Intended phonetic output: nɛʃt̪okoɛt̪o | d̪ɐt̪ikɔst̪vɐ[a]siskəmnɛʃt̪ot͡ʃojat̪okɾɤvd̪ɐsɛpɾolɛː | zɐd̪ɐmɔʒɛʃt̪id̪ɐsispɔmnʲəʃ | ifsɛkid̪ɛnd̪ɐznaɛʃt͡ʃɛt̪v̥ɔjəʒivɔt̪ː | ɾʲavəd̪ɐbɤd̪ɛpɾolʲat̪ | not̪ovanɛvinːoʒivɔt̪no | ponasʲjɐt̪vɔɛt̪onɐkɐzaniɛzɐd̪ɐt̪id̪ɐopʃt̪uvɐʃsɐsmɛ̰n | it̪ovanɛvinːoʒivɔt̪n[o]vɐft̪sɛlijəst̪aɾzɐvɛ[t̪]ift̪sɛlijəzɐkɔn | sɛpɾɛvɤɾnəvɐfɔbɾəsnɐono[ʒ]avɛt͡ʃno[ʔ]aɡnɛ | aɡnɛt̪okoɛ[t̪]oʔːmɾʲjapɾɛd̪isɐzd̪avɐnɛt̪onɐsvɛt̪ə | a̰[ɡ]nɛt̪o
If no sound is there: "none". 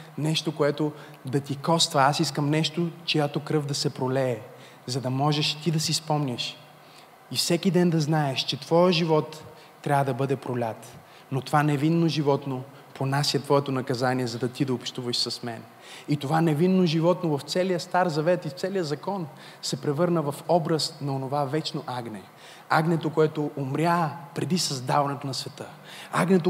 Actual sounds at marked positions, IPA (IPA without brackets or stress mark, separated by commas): a, o, t̪, v, ʔ, t̪, ɡ